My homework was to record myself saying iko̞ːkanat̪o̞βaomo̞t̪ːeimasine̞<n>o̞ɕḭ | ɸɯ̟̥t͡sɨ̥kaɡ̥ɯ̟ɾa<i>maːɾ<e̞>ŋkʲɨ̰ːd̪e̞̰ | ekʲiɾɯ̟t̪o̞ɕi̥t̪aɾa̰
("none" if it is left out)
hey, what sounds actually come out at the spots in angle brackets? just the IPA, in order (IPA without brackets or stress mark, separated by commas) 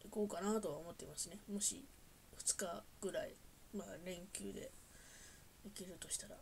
m, i, ẽ̞